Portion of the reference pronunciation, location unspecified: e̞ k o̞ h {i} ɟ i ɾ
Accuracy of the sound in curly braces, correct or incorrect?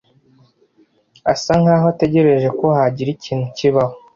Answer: incorrect